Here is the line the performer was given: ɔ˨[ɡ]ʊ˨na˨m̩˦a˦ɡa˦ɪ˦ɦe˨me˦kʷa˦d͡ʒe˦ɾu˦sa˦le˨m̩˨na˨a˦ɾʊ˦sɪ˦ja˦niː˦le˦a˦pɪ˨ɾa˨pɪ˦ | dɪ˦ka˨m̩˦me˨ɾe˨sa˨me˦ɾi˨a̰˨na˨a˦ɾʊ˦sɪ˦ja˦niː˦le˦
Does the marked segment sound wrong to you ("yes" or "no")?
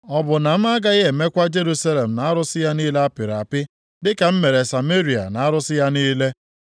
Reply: yes